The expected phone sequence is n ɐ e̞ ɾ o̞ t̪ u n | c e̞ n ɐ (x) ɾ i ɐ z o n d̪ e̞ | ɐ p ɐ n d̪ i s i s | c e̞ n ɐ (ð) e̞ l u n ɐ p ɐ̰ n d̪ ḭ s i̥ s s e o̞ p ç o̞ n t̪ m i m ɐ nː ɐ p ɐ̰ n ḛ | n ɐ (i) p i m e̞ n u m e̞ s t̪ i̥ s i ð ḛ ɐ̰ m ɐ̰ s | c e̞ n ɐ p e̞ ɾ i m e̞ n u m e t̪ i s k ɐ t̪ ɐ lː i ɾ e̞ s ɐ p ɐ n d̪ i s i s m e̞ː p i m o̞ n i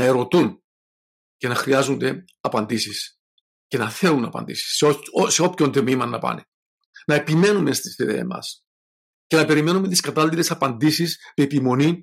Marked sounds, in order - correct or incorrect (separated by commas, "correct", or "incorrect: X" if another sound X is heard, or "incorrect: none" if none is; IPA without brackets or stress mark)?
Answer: correct, incorrect: θ, incorrect: e